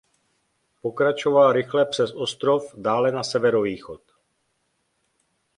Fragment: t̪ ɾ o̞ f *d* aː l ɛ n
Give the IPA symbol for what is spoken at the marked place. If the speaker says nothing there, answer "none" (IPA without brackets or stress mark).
d